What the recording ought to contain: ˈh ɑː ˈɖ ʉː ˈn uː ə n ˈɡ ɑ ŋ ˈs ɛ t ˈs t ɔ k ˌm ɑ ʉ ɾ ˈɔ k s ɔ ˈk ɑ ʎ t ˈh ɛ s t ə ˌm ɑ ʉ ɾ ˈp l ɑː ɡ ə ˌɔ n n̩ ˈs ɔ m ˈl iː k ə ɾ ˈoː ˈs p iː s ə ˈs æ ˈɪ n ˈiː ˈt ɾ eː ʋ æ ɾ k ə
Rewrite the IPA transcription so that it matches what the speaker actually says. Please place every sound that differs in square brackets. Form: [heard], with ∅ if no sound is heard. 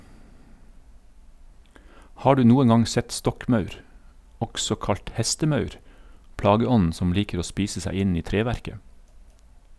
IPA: ˈh ɑː ˈɖ ʉː ˈn uː ə n ˈɡ ɑ ŋ ˈs ɛ t ˈs t ɔ k ˌm ɑ ʉ ɾ ˈɔ k s ɔ ˈk ɑ ʎ t ˈh ɛ s t ə ˌm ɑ ʉ ɾ ˈp l ɑː ɡ ə ˌɔ n n̩ ˈs ɔ m ˈl iː k ə ɾ ˈoː ˈs p iː s ə ˈs æ ˈɪ n ˈiː ˈt ɾ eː ʋ æ ɾ k ə